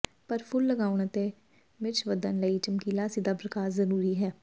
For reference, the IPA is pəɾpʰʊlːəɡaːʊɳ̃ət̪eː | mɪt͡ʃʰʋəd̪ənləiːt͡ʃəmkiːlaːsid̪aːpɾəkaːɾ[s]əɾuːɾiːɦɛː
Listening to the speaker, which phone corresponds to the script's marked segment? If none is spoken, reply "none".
z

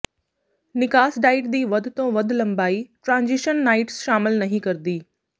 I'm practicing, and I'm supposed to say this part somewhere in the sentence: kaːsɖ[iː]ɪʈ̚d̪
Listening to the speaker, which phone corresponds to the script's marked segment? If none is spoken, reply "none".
aː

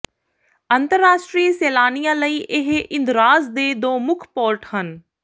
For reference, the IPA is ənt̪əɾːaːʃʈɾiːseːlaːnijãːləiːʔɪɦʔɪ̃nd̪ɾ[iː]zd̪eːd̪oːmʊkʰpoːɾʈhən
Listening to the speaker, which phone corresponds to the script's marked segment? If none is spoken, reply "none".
aː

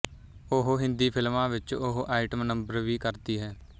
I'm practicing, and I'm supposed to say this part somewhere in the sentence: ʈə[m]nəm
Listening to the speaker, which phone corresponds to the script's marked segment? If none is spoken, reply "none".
m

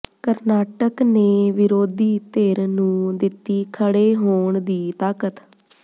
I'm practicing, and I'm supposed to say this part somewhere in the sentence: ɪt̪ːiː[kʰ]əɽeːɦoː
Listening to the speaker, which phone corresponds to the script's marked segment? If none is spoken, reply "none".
kʰ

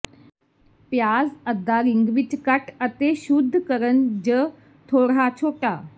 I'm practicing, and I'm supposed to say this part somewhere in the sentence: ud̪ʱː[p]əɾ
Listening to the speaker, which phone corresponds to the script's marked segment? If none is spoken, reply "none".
k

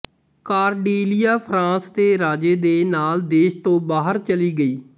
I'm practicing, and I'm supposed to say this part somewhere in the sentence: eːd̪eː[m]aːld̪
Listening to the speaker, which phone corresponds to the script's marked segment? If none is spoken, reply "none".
n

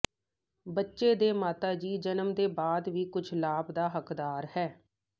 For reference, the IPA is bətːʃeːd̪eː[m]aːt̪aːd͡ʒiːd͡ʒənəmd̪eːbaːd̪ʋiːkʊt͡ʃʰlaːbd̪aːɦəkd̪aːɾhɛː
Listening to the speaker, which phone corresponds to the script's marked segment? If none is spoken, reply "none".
m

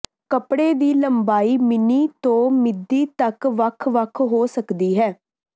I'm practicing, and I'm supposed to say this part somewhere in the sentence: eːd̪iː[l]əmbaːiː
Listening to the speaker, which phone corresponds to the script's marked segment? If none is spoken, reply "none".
l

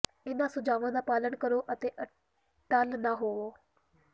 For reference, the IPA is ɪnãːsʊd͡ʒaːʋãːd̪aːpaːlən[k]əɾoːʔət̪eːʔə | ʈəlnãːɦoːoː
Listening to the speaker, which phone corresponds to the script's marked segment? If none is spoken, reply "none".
k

